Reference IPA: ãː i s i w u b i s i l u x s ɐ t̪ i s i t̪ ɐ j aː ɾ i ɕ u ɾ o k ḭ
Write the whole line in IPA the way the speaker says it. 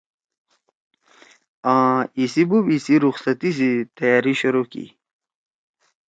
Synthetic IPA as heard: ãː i s i b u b i s i ɾ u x s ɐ t̪ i s i t̪ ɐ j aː ɾ i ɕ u ɾ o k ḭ